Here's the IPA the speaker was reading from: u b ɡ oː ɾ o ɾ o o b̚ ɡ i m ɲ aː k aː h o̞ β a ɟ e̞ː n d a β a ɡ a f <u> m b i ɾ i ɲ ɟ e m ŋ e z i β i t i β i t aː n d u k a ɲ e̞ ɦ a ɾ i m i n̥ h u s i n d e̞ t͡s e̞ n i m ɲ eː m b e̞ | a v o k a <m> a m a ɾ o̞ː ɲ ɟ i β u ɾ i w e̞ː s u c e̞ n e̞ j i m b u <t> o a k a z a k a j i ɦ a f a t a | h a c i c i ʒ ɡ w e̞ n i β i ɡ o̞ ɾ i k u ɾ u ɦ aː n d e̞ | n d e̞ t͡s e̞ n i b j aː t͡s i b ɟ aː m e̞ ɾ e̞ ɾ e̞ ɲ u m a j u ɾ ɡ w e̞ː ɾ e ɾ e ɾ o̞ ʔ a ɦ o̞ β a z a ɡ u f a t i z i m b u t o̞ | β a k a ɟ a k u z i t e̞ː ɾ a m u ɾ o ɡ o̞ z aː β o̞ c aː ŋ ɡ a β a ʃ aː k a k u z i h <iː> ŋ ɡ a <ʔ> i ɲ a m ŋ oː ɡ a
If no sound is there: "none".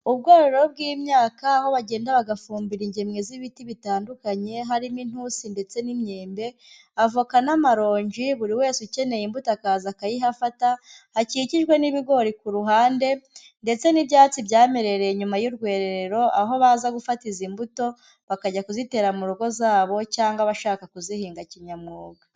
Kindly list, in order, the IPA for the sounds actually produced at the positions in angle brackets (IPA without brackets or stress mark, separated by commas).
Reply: uː, n, t, iː, c